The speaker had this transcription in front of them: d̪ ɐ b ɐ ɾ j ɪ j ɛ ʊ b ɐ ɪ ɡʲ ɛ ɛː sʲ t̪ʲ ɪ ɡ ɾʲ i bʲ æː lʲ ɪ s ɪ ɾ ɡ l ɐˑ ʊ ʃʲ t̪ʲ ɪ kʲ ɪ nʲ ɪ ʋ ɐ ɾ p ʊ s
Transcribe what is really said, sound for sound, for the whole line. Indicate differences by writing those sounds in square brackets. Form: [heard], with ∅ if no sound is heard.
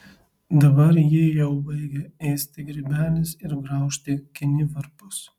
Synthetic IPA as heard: d̪ ɐ b ɐ ɾ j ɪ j ɛ ʊ b ɐ ɪ ɡʲ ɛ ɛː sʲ t̪ʲ ɪ ɡ ɾʲ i bʲ æː lʲ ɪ s ɪ ɾ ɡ [ɾ] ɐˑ ʊ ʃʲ t̪ʲ ɪ kʲ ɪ nʲ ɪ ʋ ɐ ɾ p ʊ s